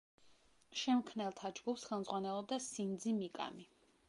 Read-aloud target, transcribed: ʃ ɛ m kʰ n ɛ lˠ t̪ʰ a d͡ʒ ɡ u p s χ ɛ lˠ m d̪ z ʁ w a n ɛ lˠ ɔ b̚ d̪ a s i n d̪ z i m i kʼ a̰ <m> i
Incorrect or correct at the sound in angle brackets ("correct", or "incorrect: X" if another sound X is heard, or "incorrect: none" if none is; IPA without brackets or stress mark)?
correct